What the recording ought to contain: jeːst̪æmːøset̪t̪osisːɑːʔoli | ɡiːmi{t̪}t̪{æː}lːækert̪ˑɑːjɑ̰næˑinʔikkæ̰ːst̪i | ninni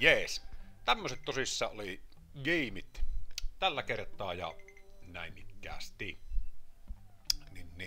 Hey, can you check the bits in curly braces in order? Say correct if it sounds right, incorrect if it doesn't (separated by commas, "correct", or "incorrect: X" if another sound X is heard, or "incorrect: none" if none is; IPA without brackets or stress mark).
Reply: correct, incorrect: æ